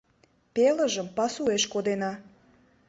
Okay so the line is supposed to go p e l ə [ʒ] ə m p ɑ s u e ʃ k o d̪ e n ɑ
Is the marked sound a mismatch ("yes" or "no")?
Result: no